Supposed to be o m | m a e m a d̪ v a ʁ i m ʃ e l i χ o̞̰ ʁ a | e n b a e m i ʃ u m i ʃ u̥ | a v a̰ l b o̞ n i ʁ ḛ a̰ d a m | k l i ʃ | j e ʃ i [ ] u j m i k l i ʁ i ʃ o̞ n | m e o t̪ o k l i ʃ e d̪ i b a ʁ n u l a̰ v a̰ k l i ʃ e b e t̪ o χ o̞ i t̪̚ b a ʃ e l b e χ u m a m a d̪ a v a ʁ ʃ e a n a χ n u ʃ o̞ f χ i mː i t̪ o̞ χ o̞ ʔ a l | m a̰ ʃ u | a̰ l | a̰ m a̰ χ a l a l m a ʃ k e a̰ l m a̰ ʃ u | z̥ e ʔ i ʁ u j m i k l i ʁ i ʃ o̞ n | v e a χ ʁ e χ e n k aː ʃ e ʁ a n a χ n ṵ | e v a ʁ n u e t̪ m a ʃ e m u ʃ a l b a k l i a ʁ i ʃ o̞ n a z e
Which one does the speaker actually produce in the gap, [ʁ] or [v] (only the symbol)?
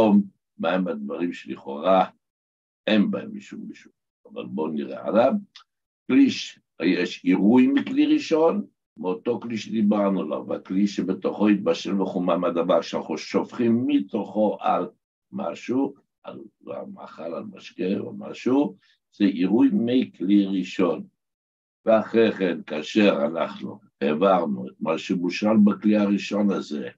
ʁ